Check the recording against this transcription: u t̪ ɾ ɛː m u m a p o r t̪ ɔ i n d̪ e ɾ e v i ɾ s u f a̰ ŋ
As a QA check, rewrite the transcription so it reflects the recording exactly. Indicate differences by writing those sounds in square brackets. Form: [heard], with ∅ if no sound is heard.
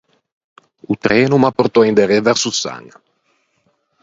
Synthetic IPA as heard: u t̪ ɾ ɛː [n] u m a p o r t̪ ɔ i n d̪ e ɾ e v [ɛ] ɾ s u [s] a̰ ŋ